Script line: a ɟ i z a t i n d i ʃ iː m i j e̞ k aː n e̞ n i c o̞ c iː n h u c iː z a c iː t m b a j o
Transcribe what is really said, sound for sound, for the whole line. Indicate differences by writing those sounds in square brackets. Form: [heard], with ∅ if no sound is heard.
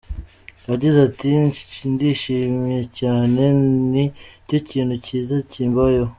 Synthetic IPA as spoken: a ɟ i z a t i n d i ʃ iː m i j e̞ [c] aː n e̞ n i c o̞ c iː n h u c iː z a c iː [∅] m b a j o